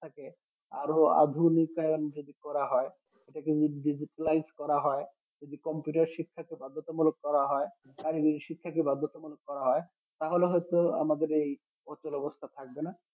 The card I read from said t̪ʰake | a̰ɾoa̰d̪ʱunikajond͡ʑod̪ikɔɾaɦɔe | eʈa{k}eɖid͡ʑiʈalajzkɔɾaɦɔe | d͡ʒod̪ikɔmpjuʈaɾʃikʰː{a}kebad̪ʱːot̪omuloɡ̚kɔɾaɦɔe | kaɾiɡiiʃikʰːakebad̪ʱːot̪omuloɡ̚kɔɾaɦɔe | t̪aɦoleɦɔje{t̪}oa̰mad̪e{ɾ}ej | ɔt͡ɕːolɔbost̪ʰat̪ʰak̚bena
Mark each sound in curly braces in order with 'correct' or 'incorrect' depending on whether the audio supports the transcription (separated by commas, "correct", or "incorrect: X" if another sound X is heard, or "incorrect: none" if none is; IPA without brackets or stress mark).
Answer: correct, correct, correct, correct